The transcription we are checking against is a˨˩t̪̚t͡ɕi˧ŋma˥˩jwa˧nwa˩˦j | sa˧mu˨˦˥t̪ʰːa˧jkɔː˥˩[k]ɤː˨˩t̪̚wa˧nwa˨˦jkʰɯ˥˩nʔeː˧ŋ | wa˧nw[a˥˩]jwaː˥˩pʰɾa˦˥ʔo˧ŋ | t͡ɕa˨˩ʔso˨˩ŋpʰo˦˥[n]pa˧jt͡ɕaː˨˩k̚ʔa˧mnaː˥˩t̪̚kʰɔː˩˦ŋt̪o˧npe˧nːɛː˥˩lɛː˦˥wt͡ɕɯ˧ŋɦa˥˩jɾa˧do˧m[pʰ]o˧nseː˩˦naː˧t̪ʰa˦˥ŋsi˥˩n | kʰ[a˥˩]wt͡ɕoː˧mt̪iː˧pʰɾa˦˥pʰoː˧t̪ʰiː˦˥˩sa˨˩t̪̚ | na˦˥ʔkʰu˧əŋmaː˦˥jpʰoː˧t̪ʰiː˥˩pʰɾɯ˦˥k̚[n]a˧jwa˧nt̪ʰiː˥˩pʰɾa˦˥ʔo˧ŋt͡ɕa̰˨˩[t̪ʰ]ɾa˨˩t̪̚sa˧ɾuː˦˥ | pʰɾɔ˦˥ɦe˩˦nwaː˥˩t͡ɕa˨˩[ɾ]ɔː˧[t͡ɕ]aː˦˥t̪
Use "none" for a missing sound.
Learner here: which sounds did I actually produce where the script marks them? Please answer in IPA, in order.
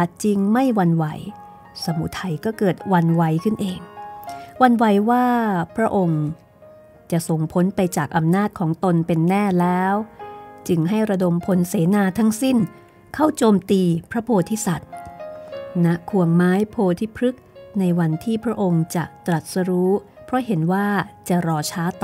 k, a˨˦, n, pʰ, a˥˩, n, t̪, ɾ, t͡ɕʰ

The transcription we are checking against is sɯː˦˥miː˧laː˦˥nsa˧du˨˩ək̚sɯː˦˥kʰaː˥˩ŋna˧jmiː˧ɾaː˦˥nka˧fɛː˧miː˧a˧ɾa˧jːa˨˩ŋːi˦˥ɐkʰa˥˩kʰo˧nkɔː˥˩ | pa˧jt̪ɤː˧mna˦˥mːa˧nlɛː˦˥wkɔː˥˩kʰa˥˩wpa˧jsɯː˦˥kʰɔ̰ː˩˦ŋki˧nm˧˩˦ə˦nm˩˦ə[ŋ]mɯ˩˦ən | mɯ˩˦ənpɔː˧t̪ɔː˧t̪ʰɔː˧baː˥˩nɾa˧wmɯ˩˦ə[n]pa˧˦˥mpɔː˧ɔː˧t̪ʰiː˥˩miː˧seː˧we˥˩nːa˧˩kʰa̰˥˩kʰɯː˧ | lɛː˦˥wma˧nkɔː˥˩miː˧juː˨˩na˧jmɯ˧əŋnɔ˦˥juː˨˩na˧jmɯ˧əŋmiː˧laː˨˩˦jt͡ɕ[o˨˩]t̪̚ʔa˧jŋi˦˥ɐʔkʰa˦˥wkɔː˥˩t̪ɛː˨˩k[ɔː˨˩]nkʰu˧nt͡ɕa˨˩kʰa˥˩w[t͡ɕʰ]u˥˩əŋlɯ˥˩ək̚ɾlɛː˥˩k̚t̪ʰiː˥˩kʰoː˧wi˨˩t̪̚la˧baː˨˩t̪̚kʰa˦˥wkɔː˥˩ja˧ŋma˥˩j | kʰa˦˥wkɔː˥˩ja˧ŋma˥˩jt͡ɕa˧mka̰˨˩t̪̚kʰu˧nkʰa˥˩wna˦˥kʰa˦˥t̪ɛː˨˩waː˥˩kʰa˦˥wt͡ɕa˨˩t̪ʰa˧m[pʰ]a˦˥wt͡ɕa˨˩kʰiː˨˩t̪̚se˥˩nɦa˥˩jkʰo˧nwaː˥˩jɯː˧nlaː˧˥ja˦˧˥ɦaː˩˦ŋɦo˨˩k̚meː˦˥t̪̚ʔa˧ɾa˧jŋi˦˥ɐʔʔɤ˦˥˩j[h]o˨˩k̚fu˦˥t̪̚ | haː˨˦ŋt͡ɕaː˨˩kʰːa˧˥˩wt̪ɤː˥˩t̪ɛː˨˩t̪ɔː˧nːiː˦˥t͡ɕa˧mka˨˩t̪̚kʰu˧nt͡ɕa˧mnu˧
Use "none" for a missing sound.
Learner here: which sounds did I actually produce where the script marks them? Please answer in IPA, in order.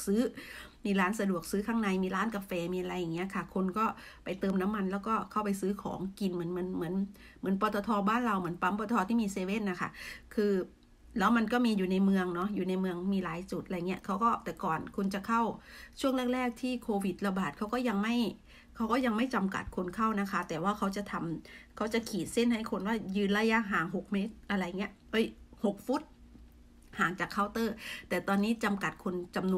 n, n, u˨˩, ɔː˨˩, t͡ɕʰ, kʰ, h

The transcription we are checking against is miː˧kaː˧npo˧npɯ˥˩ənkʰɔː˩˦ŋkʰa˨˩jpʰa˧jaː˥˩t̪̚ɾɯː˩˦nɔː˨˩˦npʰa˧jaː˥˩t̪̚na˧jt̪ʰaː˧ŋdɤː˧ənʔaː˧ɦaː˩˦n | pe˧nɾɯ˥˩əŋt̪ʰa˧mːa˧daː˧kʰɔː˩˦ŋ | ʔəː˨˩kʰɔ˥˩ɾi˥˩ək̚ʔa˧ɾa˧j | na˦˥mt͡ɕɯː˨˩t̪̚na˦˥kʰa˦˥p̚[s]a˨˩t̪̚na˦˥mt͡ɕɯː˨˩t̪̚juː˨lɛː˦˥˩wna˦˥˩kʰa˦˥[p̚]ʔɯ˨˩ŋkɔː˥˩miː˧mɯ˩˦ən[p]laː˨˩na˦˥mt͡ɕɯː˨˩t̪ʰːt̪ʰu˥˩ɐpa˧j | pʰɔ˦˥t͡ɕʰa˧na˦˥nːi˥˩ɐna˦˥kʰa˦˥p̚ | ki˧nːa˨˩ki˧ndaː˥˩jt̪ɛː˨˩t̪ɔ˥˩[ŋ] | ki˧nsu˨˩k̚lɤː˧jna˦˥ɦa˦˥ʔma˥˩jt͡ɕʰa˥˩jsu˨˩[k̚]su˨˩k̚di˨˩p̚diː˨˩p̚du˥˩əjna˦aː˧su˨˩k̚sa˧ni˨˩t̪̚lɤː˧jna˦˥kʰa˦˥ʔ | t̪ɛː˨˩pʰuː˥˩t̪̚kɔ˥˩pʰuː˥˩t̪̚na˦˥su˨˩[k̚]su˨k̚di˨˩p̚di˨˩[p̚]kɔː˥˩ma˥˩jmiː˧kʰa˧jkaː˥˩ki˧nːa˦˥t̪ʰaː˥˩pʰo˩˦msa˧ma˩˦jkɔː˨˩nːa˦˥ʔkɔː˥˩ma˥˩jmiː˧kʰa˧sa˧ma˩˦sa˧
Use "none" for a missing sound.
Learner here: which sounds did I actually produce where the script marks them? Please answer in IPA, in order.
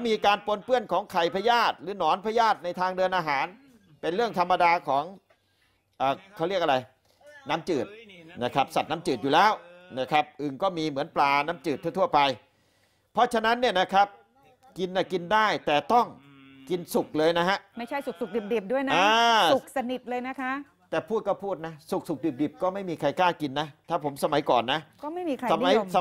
s, p̚, p, ŋ, k̚, k̚, p̚

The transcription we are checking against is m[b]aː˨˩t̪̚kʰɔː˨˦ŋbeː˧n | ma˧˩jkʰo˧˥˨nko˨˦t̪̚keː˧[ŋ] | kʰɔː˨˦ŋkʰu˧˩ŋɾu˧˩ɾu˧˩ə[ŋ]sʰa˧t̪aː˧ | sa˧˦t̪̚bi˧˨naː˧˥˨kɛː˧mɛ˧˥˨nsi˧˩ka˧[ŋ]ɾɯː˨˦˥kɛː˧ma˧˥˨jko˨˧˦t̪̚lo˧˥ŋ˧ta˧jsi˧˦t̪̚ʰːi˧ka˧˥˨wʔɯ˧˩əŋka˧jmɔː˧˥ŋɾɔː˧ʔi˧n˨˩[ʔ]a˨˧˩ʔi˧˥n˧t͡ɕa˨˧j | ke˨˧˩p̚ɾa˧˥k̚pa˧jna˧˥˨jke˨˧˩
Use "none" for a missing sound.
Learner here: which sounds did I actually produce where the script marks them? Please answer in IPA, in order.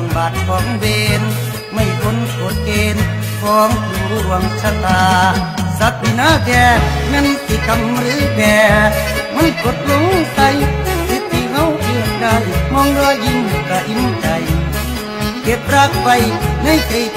b, n, ŋ, m, k

